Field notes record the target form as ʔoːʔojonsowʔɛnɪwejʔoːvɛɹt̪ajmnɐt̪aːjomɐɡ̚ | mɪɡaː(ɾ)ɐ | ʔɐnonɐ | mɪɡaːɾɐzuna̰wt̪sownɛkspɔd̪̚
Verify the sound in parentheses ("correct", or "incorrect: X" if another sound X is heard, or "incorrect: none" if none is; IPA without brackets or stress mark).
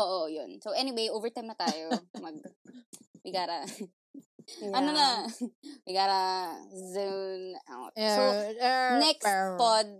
correct